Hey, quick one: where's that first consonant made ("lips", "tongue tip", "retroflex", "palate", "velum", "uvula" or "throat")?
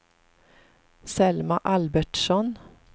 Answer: tongue tip